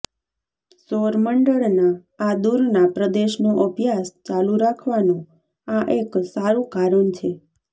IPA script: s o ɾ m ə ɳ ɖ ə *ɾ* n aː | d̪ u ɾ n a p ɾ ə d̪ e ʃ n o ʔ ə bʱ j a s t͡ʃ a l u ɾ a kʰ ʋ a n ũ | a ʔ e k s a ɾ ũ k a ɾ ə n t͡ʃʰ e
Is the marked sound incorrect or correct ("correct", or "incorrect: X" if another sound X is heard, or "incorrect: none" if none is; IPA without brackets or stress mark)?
incorrect: ɭ